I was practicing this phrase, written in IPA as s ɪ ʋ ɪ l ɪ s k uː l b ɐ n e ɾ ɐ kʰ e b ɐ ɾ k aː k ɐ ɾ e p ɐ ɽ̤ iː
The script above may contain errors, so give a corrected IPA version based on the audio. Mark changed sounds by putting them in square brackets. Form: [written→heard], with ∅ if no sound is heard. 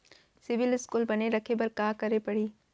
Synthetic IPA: s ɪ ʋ ɪ l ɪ s k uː l b ɐ n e ɾ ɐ kʰ e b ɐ ɾ k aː k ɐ ɾ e p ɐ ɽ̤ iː